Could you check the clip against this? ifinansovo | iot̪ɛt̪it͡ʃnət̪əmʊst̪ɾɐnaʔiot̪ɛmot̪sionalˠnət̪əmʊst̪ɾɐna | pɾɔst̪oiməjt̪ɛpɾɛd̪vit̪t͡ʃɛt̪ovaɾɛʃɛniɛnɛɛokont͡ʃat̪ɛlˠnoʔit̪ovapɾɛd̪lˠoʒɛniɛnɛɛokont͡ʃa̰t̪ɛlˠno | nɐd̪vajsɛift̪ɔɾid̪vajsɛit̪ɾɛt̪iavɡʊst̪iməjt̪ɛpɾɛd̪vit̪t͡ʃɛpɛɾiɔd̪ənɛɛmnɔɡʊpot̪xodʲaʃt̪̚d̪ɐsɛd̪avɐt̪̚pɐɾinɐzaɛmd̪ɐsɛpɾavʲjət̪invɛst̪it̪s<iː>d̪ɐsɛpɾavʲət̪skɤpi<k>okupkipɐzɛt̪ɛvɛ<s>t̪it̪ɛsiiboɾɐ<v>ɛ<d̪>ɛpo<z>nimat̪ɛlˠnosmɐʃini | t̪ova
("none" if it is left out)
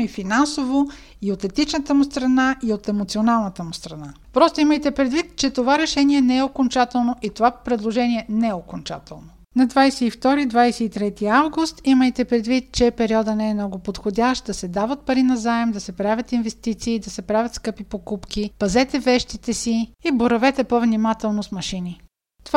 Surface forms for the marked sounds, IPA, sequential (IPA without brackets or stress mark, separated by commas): iː, p, ʃ, v, t̪, v